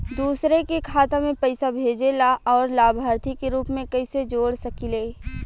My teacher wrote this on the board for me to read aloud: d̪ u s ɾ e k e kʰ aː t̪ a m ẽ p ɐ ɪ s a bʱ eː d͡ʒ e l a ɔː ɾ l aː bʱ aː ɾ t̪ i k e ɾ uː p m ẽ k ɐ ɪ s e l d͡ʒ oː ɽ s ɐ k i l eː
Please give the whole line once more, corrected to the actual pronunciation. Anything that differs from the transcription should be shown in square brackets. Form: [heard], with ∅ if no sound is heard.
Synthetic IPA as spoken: d̪ [uː] s ɾ e k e kʰ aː t̪ a m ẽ p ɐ ɪ s a bʱ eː d͡ʒ e l a ɔː ɾ l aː bʱ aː ɾ t̪ i k e ɾ uː p m ẽ k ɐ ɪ s e [∅] d͡ʒ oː ɽ s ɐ k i l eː